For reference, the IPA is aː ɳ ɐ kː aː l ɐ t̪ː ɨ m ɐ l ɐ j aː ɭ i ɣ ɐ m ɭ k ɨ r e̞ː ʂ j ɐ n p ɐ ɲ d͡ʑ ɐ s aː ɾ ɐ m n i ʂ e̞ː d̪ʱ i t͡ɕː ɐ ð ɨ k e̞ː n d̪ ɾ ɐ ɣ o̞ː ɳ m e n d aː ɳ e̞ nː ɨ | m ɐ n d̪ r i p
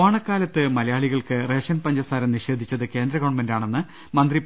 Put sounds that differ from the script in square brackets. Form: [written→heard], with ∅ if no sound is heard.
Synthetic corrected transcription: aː ɳ ɐ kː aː l ɐ t̪ː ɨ m ɐ l ɐ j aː ɭ i ɣ ɐ [m→∅] ɭ k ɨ r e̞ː ʂ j ɐ n p ɐ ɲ d͡ʑ ɐ s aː ɾ ɐ m n i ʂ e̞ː d̪ʱ i t͡ɕː ɐ ð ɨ k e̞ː n d̪ ɾ ɐ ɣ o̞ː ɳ m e n d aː ɳ e̞ nː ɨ | m ɐ n d̪ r i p